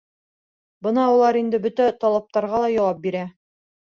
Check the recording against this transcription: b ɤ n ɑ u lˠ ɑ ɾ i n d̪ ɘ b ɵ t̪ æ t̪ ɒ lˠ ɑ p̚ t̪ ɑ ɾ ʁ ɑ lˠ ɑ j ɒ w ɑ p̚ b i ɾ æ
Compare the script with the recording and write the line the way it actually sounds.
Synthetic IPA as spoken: b ɤ n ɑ u lˠ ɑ ɾ i n d̪ ɘ b ɵ t̪ æ t̪ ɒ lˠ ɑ p̚ t̪ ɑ ɾ ʁ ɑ lˠ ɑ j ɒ w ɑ p̚ b i ɾ æ